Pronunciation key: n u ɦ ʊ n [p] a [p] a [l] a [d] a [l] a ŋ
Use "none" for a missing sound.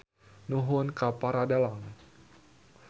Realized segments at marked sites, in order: k, p, ɾ, d, l

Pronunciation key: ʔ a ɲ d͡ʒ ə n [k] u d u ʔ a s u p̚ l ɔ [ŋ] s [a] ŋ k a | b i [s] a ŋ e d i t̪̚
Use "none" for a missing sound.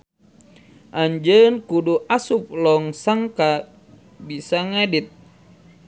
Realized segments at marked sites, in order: k, ŋ, a, s

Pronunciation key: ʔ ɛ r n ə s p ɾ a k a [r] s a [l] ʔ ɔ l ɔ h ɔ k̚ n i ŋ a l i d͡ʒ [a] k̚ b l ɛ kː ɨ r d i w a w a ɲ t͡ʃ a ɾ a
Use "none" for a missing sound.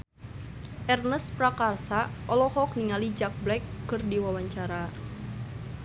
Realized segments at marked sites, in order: r, none, a

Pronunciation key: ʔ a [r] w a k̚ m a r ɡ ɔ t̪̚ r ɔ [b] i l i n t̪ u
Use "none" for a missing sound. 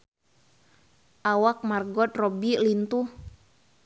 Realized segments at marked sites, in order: none, b

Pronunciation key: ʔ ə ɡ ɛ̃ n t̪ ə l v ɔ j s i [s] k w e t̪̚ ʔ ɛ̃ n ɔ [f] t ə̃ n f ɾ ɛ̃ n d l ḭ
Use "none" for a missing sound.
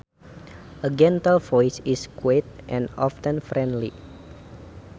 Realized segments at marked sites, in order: s, f

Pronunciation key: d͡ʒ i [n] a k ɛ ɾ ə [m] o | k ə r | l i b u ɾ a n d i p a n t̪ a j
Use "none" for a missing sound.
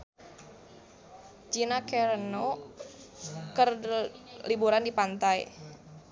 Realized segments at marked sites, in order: n, n

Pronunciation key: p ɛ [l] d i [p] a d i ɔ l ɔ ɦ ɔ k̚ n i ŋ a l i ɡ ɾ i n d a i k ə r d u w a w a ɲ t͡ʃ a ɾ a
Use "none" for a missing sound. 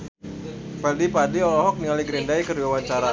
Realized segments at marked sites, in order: l, p

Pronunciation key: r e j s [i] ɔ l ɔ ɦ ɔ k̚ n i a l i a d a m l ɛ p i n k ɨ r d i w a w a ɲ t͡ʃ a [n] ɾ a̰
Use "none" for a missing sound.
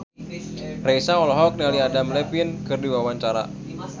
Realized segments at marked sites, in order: a, none

